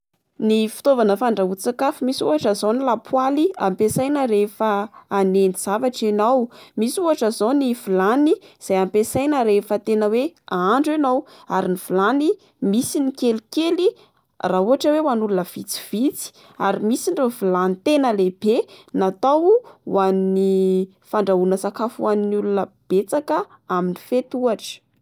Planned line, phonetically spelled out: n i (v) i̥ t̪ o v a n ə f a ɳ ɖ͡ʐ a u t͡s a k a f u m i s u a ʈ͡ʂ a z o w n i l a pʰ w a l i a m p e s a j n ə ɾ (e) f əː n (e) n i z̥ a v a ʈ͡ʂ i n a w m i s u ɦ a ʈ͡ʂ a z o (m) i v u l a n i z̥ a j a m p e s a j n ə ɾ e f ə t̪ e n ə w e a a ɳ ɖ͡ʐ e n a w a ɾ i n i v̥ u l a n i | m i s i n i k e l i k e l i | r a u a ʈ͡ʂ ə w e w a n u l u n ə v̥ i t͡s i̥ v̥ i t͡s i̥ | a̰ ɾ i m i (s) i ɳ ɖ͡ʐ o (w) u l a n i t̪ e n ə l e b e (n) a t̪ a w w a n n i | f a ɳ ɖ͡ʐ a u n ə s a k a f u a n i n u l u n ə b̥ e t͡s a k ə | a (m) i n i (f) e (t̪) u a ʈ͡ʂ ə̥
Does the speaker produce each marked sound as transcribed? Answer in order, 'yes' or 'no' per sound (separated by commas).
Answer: no, yes, yes, no, yes, no, yes, yes, yes, yes